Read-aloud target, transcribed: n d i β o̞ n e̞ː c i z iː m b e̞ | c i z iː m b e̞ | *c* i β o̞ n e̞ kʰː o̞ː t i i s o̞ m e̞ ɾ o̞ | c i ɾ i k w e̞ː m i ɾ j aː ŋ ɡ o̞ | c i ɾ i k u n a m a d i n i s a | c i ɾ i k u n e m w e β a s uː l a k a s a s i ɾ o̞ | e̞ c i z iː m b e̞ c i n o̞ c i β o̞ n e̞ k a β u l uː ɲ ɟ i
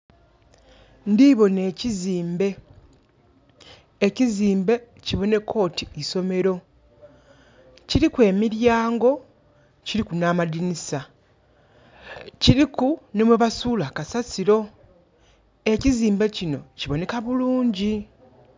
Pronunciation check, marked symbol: correct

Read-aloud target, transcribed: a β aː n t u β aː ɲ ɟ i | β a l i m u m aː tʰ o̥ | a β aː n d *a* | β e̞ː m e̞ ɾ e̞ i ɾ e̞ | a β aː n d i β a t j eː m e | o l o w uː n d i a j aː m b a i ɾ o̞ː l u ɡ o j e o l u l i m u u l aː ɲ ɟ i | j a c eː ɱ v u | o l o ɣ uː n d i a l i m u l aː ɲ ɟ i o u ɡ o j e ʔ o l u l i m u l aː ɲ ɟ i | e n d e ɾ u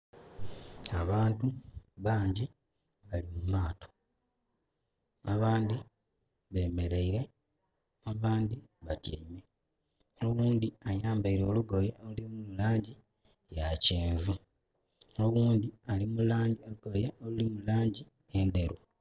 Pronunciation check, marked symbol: incorrect: i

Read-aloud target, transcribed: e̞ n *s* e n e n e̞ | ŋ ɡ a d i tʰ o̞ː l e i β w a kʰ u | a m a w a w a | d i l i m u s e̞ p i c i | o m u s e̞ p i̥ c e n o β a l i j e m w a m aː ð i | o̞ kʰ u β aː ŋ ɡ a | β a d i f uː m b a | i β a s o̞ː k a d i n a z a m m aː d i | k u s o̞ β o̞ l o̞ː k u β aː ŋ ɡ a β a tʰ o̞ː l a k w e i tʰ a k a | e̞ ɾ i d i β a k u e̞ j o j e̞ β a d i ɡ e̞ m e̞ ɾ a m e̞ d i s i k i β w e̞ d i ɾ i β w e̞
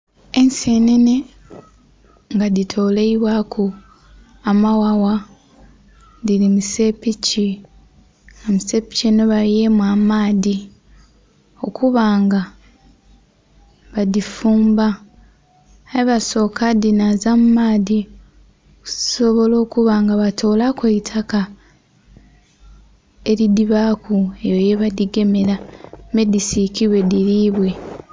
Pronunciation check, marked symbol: correct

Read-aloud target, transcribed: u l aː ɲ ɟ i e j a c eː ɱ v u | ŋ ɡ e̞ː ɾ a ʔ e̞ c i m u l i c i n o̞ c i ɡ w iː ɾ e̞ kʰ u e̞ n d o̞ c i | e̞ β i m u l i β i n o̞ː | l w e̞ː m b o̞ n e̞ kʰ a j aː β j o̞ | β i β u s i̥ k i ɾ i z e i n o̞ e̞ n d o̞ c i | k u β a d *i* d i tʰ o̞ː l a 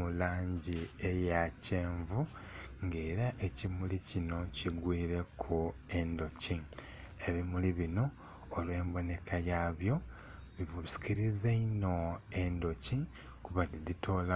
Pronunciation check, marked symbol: correct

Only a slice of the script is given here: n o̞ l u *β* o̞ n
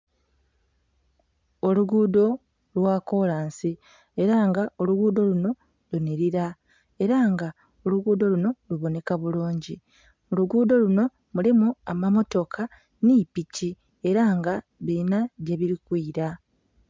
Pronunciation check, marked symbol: correct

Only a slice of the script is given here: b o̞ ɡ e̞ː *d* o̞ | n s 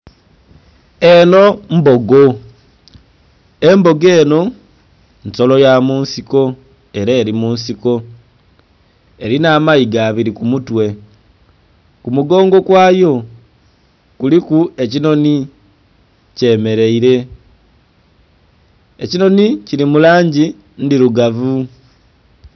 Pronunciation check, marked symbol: incorrect: n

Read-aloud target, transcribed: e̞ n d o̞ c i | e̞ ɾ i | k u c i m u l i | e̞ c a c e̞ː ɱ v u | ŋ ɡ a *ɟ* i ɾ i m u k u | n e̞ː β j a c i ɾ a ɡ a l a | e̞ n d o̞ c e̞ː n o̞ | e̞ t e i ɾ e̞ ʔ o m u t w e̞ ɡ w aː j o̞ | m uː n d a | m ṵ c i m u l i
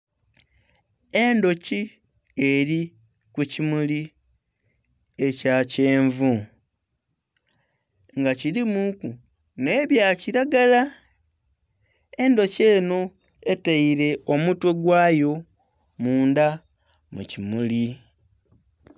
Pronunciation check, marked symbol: incorrect: c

